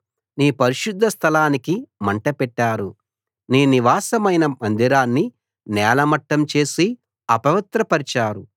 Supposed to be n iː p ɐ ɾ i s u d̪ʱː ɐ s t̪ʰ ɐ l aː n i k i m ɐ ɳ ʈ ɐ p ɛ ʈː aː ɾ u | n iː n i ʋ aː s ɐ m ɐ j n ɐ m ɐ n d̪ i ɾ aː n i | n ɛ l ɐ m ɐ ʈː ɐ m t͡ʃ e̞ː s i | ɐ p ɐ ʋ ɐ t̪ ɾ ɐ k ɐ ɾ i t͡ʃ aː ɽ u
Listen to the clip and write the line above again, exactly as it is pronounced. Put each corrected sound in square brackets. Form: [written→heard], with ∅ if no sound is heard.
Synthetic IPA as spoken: n iː p ɐ ɾ i [s→ʃ] u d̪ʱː ɐ s t̪ʰ ɐ l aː n i k i m ɐ ɳ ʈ ɐ p ɛ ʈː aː ɾ u | n iː n i ʋ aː s ɐ m ɐ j n ɐ m ɐ n d̪ i ɾ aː [n→nː] i | n [ɛ→ɛː] l ɐ m ɐ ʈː ɐ m t͡ʃ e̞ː s i | ɐ p ɐ ʋ ɐ t̪ ɾ ɐ [k→p] ɐ ɾ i t͡ʃ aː [ɽ→ɾ] u